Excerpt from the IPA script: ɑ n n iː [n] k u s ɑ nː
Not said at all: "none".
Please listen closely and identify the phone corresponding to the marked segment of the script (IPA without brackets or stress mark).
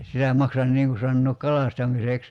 ŋ